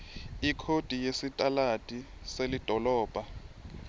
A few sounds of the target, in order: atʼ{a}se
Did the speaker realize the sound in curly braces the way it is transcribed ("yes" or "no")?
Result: no